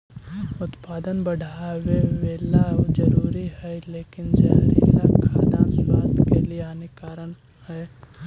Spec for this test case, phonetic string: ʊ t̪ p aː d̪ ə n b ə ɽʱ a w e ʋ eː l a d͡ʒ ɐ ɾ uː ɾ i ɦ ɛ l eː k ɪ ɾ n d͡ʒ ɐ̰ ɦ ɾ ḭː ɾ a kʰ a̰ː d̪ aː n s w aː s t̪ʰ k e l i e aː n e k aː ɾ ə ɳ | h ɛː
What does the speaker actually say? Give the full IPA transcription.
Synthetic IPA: ʊ t̪ p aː d̪ ə n b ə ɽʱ a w e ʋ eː l a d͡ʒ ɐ ɾ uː ɾ i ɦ ɛ l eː k ɪ n d͡ʒ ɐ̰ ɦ ɾ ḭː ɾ a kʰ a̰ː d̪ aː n s w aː s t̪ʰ k e l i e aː n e k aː ɾ ə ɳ | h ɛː